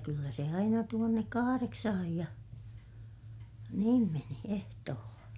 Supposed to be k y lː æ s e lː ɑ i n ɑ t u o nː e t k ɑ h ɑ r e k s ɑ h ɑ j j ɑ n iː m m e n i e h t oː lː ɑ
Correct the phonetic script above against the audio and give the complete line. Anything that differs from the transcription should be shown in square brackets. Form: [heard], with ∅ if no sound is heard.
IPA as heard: k y lː æ s e [∅] ɑ i n ɑ t u o nː e [k] k ɑ h ɑ r e k s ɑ h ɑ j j ɑ n iː m m e n i e h t oː lː ɑ